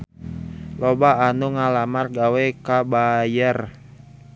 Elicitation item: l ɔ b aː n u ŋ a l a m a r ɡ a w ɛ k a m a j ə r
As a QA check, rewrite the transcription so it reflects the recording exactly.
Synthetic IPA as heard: l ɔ b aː n u ŋ a l a m a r ɡ a w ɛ k a b a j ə r

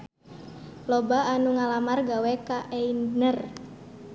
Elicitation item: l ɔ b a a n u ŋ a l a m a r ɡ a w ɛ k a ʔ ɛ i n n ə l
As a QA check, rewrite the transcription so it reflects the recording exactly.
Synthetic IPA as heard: l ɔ b a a n u ŋ a l a m a r ɡ a w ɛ k a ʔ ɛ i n n ə r

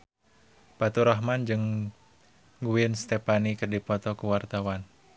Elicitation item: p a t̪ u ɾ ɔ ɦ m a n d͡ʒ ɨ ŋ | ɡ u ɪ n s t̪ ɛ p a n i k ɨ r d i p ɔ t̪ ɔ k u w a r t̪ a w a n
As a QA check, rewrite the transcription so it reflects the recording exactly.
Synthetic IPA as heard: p a t̪ u ɾ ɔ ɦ m a n d͡ʒ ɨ ŋ | ɡ u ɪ n s t̪ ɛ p a n i k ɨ r d i p ɔ t̪ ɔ k u w a r t̪ a w a n

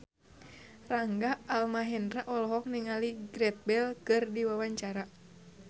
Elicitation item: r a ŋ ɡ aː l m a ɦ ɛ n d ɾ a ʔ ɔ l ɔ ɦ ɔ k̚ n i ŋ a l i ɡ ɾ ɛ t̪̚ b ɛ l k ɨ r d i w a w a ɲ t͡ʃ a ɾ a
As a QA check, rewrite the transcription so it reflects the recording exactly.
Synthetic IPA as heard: r a ŋ ɡ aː l m a ɦ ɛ n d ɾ a ʔ ɔ l ɔ ɦ ɔ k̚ n i ŋ a l i ɡ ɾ ɛ t̪̚ b ɛ l k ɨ r d i w a w a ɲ t͡ʃ a ɾ a

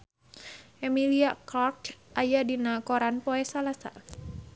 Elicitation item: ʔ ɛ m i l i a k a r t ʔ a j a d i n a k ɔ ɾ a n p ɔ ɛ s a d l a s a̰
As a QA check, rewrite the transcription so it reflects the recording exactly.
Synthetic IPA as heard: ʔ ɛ m i l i a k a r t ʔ a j a d i n a k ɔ ɾ a n p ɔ ɛ s a l a s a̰

